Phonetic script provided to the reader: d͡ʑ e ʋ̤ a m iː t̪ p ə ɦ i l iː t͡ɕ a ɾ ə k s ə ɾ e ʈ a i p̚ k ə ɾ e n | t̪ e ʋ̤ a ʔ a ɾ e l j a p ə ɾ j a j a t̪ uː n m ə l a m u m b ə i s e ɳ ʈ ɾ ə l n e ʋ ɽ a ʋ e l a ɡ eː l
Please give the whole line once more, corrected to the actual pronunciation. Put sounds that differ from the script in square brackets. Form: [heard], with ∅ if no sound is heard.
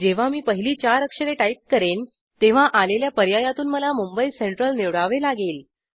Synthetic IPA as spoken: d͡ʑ e ʋ̤ a m iː [∅] p ə ɦ i l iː t͡ɕ a ɾ ə k [ʂ] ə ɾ e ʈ a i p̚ k ə ɾ e n | t̪ e ʋ̤ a ʔ a [l] e l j a p ə ɾ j a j a t̪ uː n m ə l a m u m b ə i s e ɳ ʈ ɾ ə l n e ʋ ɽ a ʋ e l a ɡ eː l